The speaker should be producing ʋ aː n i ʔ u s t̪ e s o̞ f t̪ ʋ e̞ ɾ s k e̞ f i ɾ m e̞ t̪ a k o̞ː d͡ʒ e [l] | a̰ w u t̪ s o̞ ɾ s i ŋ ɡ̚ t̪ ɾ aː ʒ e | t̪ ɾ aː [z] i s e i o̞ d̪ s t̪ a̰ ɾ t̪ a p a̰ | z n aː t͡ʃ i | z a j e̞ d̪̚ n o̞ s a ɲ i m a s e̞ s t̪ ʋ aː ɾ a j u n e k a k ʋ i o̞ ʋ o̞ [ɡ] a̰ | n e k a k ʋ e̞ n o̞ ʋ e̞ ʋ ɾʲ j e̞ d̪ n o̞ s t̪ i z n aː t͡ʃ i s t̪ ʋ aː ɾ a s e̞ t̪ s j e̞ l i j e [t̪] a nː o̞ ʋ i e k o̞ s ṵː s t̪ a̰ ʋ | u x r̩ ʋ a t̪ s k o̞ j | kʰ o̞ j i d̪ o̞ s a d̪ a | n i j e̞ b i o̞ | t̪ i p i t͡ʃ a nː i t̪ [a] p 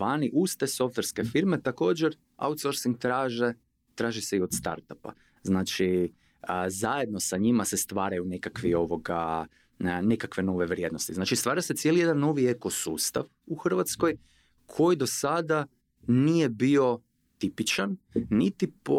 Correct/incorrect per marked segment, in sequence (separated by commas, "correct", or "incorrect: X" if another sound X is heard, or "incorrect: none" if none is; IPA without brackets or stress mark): incorrect: ɾ, incorrect: ʒ, correct, incorrect: d̪, incorrect: i